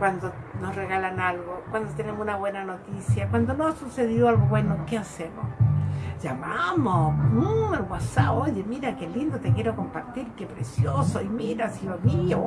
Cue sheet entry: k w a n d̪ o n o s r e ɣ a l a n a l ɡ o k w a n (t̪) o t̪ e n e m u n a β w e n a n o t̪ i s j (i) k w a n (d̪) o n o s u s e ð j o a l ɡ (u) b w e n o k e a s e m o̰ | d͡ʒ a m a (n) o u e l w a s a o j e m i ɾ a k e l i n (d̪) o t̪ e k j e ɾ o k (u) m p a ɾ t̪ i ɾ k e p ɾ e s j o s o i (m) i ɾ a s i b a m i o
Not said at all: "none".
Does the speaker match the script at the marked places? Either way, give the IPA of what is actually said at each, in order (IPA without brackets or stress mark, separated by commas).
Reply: d̪, a, d̪, o, m, d̪, o, m